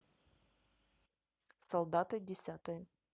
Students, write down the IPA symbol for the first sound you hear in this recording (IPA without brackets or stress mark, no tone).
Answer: s